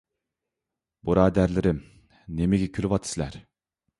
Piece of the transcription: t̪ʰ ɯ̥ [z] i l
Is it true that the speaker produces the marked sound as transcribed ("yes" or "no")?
no